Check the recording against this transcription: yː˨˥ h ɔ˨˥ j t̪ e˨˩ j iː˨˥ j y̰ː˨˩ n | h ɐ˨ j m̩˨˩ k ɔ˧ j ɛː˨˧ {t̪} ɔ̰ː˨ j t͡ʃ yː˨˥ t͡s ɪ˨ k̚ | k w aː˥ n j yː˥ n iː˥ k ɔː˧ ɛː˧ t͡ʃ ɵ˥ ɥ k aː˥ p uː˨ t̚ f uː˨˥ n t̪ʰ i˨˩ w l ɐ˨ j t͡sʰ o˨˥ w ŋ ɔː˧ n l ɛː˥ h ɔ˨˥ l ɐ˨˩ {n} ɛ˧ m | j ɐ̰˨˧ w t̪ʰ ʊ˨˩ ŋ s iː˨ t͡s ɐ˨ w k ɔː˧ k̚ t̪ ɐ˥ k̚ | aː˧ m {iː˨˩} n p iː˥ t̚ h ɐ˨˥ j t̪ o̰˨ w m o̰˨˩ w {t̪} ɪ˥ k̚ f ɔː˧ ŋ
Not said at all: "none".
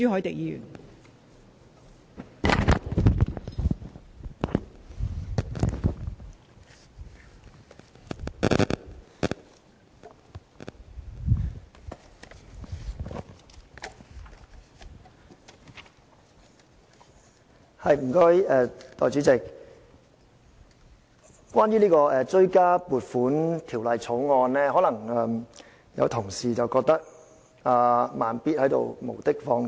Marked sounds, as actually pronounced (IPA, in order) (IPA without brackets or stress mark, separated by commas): t̪, ŋ, aː˨˩, t̪